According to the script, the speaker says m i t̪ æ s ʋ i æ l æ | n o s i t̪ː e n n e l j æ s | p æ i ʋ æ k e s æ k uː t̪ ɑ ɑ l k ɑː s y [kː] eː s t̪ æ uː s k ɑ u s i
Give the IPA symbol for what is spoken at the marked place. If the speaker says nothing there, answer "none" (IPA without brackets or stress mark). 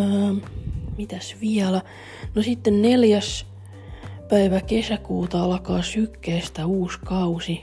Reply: kː